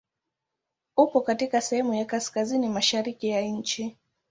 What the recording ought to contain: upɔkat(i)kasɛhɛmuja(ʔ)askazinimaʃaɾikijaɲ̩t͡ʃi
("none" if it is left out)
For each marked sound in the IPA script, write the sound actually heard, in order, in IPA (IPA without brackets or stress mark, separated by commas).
i, k